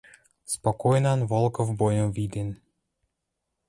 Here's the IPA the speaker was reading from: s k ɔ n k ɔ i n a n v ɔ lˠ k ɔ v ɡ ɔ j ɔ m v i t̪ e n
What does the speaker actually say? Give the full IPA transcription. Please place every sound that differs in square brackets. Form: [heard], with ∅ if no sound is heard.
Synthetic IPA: s [p] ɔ [∅] k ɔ [j] n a n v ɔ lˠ k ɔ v [b] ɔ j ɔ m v i [d̪] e n